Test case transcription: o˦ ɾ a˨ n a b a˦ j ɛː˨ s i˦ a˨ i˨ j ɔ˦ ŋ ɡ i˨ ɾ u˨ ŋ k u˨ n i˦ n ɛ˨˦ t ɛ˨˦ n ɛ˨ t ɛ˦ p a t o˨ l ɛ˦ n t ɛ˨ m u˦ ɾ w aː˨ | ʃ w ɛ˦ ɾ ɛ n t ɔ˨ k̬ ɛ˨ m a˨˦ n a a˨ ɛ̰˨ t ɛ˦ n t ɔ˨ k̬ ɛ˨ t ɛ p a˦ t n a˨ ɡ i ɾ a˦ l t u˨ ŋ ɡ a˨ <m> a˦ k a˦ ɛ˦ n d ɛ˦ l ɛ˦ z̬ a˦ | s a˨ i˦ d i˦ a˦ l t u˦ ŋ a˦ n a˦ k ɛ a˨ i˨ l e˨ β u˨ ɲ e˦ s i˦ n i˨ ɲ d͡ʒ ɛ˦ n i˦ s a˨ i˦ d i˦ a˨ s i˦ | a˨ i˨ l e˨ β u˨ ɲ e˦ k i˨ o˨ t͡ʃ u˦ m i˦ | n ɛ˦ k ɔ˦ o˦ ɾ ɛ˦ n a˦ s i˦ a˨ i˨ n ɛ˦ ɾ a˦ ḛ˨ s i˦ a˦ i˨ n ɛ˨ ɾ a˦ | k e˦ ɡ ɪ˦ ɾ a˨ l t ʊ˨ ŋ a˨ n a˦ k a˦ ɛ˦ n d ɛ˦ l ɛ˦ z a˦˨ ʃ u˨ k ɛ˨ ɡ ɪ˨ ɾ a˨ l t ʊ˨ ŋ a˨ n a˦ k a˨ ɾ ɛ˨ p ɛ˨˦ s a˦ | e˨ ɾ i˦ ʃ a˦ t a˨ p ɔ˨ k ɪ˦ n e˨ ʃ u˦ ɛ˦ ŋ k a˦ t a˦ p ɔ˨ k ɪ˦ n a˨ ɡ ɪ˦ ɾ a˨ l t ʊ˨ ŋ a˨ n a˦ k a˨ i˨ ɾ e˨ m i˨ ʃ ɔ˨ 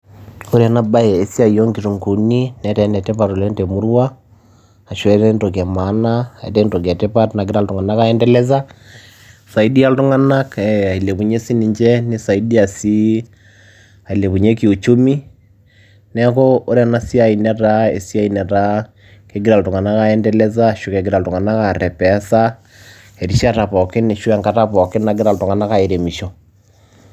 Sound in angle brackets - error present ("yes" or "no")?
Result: yes